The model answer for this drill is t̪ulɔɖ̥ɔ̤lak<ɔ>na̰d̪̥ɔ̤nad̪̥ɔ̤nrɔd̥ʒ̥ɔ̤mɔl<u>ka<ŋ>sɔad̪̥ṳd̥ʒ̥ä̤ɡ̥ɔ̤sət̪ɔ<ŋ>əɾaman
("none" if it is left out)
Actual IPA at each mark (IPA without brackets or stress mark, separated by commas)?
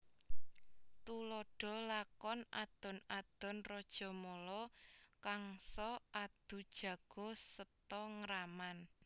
ɔ, ɔ, ŋ, ŋ